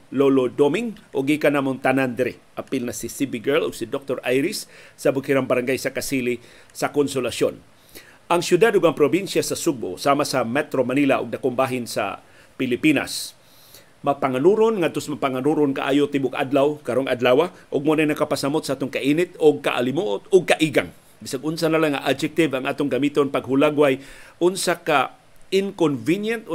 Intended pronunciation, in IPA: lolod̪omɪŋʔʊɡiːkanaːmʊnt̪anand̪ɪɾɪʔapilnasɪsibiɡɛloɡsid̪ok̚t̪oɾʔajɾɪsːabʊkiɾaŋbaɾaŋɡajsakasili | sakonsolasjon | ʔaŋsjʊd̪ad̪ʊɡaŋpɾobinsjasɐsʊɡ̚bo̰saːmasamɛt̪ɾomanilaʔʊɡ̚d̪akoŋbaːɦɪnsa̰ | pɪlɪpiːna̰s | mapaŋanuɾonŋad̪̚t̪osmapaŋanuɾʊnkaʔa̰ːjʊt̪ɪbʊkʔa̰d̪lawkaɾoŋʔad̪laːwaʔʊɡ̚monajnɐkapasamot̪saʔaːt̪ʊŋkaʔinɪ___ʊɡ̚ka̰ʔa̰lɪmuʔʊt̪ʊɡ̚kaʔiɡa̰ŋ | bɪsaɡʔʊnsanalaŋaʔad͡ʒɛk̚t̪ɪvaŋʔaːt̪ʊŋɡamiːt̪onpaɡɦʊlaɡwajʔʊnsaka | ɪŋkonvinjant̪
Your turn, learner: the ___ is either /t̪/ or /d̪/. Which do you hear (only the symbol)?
t̪